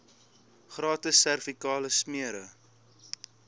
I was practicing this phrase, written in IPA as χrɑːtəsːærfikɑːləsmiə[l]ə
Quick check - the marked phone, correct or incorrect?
incorrect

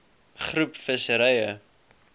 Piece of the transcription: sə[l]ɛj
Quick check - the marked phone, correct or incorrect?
incorrect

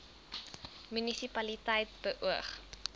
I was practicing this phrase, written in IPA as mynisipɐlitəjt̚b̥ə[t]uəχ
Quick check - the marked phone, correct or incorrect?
incorrect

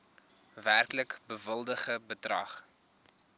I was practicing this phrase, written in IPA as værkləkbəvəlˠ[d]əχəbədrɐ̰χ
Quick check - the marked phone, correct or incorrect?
correct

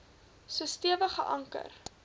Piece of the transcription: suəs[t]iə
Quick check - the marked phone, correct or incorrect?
correct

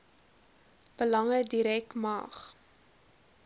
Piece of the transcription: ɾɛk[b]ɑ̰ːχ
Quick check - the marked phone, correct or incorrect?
incorrect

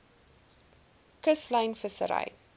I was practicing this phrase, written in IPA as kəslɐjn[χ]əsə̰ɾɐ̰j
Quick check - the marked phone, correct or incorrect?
incorrect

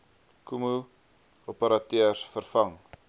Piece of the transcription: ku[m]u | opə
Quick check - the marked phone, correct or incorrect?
correct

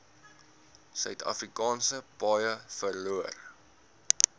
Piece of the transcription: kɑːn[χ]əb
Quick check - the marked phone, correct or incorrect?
incorrect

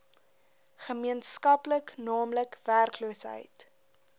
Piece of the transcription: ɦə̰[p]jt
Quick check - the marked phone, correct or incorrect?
incorrect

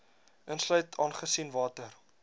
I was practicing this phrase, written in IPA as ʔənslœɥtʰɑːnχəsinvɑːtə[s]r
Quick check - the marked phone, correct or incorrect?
incorrect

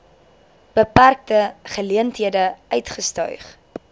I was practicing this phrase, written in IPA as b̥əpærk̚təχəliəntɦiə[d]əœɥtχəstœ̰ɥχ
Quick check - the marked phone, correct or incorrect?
correct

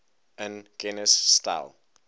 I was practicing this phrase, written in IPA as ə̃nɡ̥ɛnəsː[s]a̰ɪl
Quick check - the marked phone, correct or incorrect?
incorrect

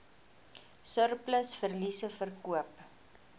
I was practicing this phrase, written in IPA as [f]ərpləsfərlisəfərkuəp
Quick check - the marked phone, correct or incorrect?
incorrect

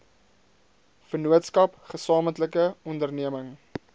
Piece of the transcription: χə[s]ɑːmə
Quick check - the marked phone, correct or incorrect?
correct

